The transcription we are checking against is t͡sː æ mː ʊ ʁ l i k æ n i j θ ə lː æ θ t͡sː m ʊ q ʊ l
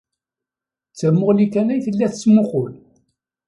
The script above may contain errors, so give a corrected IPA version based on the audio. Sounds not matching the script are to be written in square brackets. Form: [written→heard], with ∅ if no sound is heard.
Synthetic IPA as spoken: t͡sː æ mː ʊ ʁ l i k æ n [i→æ] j θ ə lː æ θ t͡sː m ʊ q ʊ l